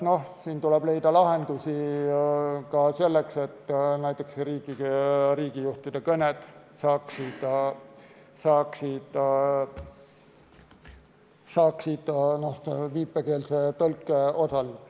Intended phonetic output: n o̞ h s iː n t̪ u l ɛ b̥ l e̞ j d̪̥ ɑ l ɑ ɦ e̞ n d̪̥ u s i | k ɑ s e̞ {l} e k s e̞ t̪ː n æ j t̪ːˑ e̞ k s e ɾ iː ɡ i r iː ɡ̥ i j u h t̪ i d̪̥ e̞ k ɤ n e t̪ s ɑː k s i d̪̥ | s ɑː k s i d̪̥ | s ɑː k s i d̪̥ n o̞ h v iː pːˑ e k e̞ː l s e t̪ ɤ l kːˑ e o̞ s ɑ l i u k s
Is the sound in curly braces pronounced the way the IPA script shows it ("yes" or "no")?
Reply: no